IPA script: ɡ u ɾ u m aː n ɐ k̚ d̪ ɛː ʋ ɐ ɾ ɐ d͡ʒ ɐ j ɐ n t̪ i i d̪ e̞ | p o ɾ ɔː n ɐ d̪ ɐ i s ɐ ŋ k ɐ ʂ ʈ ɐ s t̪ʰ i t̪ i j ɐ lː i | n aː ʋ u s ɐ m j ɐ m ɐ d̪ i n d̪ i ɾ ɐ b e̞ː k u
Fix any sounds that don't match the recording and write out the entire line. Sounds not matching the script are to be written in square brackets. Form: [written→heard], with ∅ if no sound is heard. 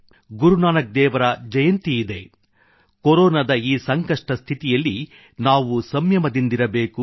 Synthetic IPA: ɡ u ɾ u [m→n] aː n ɐ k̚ d̪ ɛː ʋ ɐ ɾ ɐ d͡ʒ ɐ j ɐ n t̪ i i d̪ e̞ | [p→k] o ɾ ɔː n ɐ d̪ ɐ [i→iː] s ɐ ŋ k ɐ ʂ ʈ ɐ s t̪ʰ i t̪ i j ɐ lː i | n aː ʋ u s ɐ m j ɐ m ɐ d̪ i n d̪ i ɾ ɐ b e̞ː k u

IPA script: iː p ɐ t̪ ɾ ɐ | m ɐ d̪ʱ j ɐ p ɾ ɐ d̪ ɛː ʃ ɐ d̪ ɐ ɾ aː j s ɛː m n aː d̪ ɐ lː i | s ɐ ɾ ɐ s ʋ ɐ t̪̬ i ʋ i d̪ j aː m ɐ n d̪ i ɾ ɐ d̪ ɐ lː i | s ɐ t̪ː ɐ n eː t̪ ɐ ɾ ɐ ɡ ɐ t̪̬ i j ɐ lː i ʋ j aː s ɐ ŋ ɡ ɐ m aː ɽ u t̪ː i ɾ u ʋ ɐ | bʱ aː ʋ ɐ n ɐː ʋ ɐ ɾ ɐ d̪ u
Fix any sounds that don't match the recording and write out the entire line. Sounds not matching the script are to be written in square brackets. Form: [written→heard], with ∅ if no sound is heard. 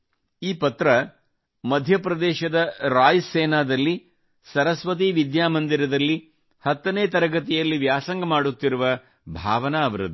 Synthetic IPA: iː p ɐ t̪ ɾ ɐ | m ɐ d̪ʱ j ɐ p ɾ ɐ d̪ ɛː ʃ ɐ d̪ ɐ ɾ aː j s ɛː [m→∅] n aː d̪ ɐ lː i | s ɐ ɾ ɐ s ʋ ɐ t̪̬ i ʋ i d̪ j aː m ɐ n d̪ i ɾ ɐ d̪ ɐ lː i | [s→h] ɐ t̪ː ɐ n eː t̪ ɐ ɾ ɐ ɡ ɐ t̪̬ i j ɐ lː i ʋ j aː s ɐ ŋ ɡ ɐ m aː ɽ u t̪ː i ɾ u ʋ ɐ | bʱ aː ʋ ɐ n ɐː ʋ ɐ ɾ ɐ d̪ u

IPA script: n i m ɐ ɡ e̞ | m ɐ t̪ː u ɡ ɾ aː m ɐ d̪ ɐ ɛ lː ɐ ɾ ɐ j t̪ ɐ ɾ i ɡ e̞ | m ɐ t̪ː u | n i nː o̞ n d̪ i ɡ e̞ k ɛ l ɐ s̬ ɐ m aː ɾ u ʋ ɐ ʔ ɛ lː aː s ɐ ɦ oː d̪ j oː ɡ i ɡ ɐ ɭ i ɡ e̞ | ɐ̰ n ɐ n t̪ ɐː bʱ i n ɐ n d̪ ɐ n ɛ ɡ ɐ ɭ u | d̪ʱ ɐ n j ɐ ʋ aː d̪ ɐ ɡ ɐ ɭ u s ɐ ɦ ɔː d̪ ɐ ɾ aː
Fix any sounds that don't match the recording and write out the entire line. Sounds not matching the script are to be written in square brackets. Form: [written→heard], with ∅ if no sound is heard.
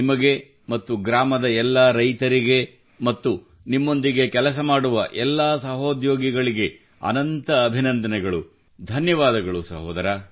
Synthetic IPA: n i m ɐ ɡ e̞ | m ɐ t̪ː u ɡ ɾ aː m ɐ d̪ ɐ ɛ lː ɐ ɾ ɐ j t̪ ɐ ɾ i ɡ e̞ | m ɐ t̪ː u | n i [nː→mː] o̞ n d̪ i ɡ e̞ k ɛ l ɐ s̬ ɐ m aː [ɾ→ɽ] u ʋ ɐ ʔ ɛ lː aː s ɐ ɦ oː d̪ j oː ɡ i ɡ ɐ ɭ i ɡ e̞ | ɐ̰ n ɐ n t̪ ɐː bʱ i n ɐ n d̪ ɐ n ɛ ɡ ɐ ɭ u | d̪ʱ ɐ n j ɐ ʋ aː d̪ ɐ ɡ ɐ ɭ u s ɐ ɦ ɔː d̪ ɐ ɾ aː

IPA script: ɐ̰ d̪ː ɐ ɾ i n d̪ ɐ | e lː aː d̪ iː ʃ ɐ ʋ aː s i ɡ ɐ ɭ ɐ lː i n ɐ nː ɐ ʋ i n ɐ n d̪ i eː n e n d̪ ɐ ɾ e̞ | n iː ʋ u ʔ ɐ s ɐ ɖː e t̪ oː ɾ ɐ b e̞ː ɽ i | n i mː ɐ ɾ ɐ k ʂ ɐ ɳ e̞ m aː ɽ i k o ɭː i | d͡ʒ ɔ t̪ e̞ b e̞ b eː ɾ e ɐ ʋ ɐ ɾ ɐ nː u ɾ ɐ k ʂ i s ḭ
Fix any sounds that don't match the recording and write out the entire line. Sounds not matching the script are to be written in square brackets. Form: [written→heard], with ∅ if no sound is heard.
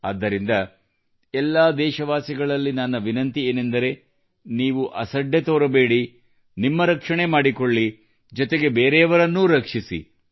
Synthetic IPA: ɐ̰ d̪ː ɐ ɾ i n d̪ ɐ | [e→ɛ] lː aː d̪ [iː→ɛː] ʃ ɐ ʋ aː s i ɡ ɐ ɭ ɐ lː i n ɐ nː ɐ ʋ i n ɐ n [d̪→t̪] i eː n e n d̪ ɐ ɾ e̞ | n iː ʋ u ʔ ɐ s ɐ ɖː e t̪ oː ɾ ɐ b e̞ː ɽ i | n i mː ɐ ɾ ɐ k ʂ ɐ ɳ e̞ m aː ɽ i k o ɭː i | d͡ʒ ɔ t̪ e̞ [b→ɡ] e̞ b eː ɾ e ɐ ʋ ɐ ɾ ɐ nː u ɾ ɐ k ʂ i s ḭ

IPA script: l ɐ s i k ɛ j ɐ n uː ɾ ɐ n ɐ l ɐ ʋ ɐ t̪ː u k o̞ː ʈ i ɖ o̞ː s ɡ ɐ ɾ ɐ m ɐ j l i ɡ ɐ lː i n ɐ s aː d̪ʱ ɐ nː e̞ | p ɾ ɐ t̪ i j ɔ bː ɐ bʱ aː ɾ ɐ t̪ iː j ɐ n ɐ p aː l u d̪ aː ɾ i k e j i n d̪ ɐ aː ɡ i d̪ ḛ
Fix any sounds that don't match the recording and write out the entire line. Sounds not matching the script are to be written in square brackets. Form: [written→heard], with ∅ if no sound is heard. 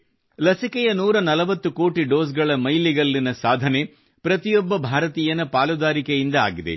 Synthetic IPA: l ɐ s i k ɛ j ɐ n uː ɾ ɐ n ɐ l ɐ ʋ ɐ t̪ː u k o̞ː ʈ i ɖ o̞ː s ɡ ɐ [ɾ→ɭ] ɐ m ɐ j l i ɡ ɐ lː i n ɐ s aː d̪ʱ ɐ [nː→n] e̞ | p ɾ ɐ t̪ i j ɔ bː ɐ bʱ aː ɾ ɐ t̪ iː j ɐ n ɐ p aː l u d̪ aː ɾ i k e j i n d̪ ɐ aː ɡ i d̪ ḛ

